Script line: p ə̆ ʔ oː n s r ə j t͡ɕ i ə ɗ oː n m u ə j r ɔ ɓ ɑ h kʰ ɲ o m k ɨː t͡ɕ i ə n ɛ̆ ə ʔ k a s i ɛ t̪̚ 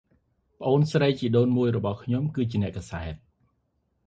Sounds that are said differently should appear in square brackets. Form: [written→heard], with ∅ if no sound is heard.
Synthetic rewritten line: p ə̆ ʔ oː n s r ə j t͡ɕ i ə ɗ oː n m u ə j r ɔ ɓ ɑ h kʰ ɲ o m k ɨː t͡ɕ i ə n ɛ̆ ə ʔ k a s [i→a] ɛ t̪̚

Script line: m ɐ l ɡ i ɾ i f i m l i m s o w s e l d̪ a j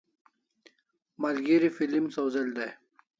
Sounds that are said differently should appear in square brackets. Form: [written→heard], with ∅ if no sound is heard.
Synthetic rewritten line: m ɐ l ɡ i ɾ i f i [m→∅] l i m s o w [s→z] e l d̪ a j

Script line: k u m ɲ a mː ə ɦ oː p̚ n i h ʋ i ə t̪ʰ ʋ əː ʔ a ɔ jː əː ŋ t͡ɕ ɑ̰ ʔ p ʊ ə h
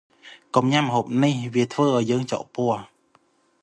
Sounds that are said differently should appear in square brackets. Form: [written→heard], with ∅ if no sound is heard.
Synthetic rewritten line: k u m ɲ a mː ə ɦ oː p̚ n i h ʋ i ə t̪ʰ ʋ əː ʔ a ɔ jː əː ŋ t͡ɕ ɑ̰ ʔ p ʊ ə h

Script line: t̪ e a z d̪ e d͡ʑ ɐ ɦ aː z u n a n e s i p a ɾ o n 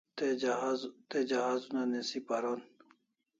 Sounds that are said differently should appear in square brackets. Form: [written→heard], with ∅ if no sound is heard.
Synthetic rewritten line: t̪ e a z [d̪→t̪] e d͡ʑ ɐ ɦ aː z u n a n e s i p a ɾ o n

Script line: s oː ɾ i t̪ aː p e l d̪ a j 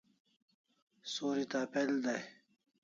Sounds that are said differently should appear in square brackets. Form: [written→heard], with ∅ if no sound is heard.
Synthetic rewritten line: s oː ɾ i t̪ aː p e l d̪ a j

